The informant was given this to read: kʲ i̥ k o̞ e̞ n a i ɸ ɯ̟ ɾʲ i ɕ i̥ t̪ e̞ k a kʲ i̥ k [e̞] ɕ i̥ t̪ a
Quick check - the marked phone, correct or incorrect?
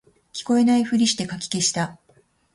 correct